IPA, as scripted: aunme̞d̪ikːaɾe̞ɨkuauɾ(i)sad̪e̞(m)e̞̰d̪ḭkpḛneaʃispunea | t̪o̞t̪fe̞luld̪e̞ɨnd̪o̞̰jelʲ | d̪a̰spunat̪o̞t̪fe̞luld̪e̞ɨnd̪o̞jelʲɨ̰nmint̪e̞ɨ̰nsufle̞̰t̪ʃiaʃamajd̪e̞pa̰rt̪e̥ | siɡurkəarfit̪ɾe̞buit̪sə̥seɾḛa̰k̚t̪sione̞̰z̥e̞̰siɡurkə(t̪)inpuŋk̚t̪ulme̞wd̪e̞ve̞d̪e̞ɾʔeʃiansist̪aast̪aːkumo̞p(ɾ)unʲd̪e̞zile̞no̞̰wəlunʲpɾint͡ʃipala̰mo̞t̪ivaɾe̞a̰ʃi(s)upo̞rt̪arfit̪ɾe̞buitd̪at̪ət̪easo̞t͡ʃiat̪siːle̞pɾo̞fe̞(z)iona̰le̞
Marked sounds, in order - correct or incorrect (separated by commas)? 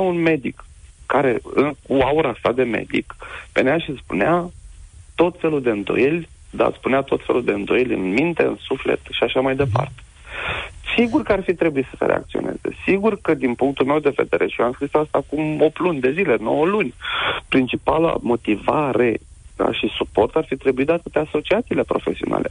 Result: incorrect, correct, incorrect, incorrect, correct, incorrect